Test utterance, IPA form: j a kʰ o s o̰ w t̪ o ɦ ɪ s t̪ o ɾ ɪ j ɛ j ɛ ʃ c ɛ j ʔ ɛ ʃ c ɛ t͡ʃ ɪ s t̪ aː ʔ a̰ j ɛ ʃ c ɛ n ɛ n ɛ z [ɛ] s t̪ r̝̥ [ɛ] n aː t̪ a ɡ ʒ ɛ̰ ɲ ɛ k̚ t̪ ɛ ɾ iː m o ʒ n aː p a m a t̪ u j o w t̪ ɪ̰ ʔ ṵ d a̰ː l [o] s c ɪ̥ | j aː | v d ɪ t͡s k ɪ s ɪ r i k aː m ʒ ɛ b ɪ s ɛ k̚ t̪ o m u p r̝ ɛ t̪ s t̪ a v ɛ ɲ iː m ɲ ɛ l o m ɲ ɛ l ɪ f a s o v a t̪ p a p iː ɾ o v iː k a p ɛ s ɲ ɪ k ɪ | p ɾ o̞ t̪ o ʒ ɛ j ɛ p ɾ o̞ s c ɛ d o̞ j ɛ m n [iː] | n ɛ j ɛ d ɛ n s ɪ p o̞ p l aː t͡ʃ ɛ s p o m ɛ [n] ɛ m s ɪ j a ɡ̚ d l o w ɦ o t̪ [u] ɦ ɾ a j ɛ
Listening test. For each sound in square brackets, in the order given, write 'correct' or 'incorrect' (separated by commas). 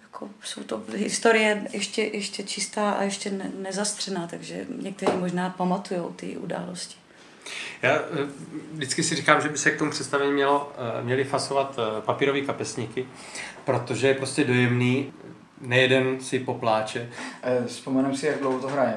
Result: incorrect, correct, correct, correct, correct, incorrect